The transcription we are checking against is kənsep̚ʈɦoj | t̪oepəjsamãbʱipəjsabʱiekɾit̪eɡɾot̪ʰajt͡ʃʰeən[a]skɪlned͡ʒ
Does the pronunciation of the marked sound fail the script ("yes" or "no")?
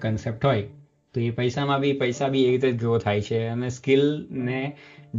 yes